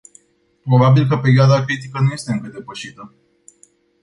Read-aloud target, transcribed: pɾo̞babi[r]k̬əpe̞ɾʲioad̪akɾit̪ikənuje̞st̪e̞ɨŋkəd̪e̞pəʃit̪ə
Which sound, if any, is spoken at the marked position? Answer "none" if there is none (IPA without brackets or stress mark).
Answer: l